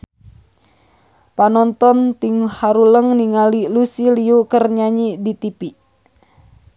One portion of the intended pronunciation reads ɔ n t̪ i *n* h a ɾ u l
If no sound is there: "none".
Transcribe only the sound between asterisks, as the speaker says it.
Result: ŋ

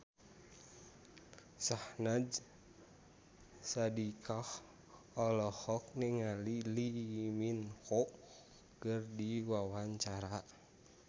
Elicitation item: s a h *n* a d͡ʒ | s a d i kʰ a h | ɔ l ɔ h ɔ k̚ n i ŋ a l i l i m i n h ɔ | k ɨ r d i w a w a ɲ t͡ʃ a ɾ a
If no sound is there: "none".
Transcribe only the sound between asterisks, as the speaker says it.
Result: n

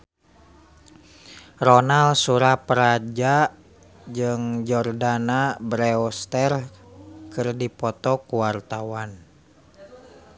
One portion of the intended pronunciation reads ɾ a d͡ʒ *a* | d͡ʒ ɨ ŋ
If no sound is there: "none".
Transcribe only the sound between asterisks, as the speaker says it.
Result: a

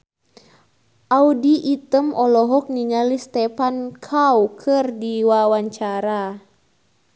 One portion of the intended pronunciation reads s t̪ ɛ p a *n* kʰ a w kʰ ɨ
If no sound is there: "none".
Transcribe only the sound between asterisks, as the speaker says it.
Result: n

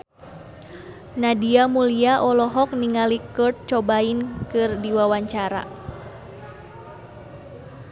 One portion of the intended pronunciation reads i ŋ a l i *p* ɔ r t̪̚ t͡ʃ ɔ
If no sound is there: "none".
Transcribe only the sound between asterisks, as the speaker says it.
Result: k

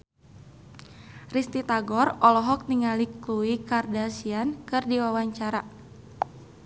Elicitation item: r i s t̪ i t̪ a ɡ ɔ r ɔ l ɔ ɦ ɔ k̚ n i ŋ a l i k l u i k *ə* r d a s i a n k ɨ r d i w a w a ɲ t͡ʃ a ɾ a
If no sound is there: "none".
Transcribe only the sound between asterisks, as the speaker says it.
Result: a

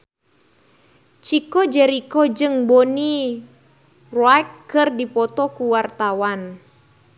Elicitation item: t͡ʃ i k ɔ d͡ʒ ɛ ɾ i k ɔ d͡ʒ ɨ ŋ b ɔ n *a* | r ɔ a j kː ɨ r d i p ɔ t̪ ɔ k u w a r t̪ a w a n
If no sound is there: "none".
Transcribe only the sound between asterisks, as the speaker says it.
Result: i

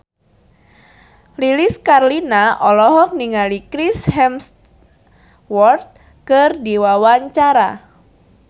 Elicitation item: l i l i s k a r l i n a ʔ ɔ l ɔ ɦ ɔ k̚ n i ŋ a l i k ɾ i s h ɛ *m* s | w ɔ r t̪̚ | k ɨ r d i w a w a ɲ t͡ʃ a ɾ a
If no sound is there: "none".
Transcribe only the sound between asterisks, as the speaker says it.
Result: m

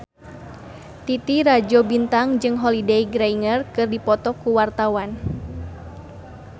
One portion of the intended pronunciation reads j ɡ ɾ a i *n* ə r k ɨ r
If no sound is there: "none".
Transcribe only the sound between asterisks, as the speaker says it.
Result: ŋ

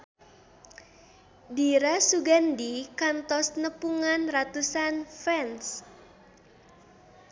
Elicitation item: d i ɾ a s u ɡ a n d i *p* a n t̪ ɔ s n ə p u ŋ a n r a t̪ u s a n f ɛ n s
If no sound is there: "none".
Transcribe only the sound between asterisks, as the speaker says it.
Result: k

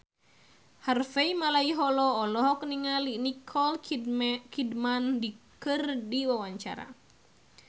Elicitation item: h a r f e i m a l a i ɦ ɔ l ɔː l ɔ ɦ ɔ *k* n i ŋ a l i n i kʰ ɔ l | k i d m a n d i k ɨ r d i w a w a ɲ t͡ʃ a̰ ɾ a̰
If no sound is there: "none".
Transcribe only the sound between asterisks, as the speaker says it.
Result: k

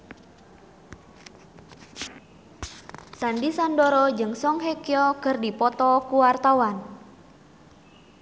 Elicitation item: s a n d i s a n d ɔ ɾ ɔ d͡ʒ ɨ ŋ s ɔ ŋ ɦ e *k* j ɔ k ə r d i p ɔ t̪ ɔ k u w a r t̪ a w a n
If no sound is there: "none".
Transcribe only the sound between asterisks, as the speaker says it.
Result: k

